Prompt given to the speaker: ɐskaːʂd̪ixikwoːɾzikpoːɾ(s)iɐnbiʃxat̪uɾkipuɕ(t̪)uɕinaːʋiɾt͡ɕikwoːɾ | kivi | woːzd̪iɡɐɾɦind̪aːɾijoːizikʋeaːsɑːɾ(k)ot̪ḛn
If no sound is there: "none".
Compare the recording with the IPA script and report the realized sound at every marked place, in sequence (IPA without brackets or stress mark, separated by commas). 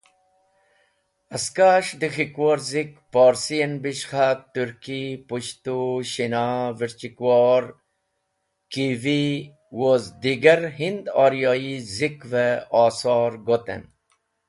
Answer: s, t̪, ɡ